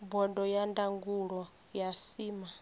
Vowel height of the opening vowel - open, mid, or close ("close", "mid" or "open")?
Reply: mid